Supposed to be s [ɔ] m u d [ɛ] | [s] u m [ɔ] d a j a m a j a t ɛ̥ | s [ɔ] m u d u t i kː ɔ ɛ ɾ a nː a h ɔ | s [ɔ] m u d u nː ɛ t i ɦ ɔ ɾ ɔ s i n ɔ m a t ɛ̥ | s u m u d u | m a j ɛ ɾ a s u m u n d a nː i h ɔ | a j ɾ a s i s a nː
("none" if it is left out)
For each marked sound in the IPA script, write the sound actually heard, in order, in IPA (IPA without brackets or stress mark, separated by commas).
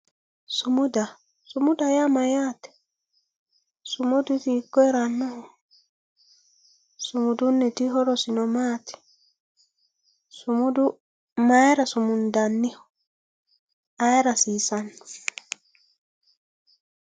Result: u, a, s, u, u, u